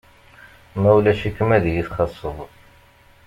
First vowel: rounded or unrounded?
unrounded